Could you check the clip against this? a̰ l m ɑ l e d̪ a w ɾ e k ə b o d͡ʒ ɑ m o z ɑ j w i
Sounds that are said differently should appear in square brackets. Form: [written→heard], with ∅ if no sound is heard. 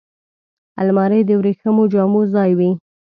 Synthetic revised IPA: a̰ l m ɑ [l→ɾ] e d̪ [a→ə] w ɾ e [k→x] ə [b→m] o d͡ʒ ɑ m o z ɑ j w i